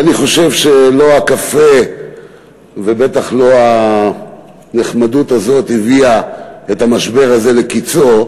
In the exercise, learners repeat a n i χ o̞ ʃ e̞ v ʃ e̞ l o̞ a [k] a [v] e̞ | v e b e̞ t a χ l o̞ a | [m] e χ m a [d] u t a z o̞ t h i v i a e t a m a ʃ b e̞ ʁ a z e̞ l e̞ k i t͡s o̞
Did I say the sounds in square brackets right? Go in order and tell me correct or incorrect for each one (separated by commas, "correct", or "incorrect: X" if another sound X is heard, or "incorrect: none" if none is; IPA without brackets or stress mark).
correct, incorrect: f, incorrect: n, correct